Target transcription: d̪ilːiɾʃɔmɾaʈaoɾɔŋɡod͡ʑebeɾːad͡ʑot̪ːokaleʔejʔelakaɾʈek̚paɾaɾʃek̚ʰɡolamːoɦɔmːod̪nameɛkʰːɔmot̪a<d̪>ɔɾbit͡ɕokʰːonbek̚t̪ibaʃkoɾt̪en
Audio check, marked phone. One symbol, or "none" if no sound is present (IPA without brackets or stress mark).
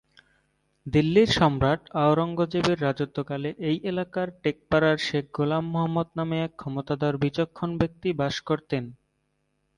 d̪